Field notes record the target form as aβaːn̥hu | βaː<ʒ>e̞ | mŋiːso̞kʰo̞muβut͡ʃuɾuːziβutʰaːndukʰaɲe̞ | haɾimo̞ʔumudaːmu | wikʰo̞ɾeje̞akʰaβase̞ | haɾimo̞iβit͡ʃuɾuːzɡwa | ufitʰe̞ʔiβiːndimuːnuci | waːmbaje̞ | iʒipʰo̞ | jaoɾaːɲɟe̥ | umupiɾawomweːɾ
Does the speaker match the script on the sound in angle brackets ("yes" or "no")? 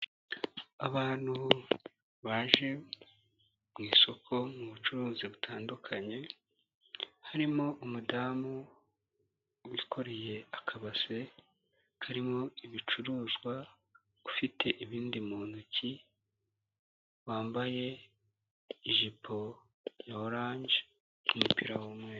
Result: yes